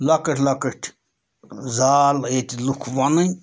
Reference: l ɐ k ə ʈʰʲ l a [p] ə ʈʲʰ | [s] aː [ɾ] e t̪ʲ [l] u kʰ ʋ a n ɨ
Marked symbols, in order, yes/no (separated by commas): no, no, no, yes